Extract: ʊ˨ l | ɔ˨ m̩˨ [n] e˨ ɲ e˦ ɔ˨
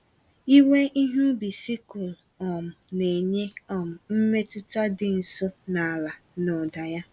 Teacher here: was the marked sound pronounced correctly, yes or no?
yes